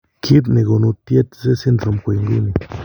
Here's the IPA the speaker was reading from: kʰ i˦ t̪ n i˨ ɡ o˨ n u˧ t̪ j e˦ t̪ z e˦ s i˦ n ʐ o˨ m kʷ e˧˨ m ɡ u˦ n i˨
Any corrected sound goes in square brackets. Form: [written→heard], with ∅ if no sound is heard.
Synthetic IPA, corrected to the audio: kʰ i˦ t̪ n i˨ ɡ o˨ n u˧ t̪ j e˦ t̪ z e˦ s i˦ n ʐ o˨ m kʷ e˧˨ [m→ŋ] ɡ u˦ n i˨